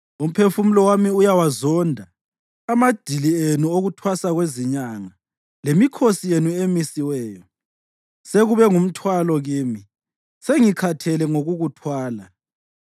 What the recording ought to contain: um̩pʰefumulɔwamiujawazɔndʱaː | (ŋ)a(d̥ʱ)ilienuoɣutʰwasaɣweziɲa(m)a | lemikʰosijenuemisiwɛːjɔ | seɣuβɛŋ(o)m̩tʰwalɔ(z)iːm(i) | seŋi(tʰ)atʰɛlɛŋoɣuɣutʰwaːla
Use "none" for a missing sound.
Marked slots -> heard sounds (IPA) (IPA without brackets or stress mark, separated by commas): m, d̥ʱ, ŋ, u, ɣ, i, kʰ